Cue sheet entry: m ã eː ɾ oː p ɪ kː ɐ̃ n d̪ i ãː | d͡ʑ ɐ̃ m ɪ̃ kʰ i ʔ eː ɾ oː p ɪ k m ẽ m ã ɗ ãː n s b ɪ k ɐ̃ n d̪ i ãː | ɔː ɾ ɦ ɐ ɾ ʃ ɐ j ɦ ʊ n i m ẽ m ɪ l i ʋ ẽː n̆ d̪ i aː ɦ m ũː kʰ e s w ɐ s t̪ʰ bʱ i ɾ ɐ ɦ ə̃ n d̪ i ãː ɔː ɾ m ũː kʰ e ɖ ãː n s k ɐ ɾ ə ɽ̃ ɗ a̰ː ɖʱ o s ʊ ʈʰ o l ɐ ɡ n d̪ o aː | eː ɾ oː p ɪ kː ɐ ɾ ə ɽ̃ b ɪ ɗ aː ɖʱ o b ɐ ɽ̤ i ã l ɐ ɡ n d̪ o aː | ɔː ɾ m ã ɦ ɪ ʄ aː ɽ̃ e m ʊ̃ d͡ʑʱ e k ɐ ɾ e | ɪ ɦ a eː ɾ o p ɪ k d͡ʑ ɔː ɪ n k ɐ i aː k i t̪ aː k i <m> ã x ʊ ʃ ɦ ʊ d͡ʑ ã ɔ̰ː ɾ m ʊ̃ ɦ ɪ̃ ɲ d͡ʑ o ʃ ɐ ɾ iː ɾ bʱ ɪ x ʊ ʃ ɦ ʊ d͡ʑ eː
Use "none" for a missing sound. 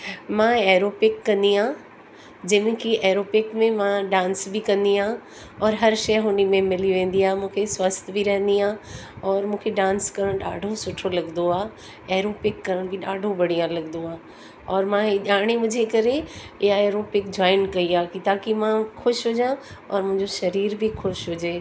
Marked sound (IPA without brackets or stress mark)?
m